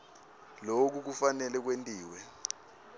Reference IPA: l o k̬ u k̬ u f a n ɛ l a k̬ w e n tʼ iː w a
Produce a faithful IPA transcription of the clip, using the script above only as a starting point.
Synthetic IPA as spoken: l o k̬ u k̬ u f a n ɛ l ɛ k̬ w e n tʼ iː w ɛ